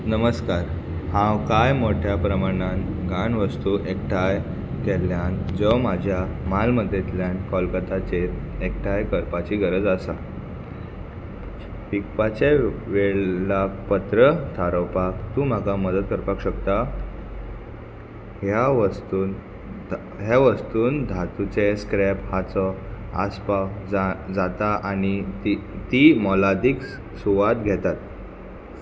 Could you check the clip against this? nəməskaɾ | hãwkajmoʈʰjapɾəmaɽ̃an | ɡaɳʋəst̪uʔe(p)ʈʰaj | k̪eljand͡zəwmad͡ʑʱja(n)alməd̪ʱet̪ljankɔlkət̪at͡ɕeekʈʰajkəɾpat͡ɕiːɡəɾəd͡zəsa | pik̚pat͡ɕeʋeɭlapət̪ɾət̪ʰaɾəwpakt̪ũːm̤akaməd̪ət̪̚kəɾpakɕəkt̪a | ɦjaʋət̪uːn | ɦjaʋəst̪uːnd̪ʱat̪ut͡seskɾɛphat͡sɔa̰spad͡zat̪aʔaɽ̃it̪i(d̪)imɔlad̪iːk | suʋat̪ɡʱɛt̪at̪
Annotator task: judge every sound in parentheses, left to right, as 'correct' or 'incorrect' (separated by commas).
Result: incorrect, incorrect, incorrect